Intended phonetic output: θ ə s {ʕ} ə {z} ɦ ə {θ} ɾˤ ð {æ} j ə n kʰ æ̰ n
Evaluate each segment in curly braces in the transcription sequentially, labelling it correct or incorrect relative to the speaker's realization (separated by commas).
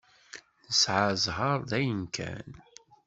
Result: correct, correct, incorrect, correct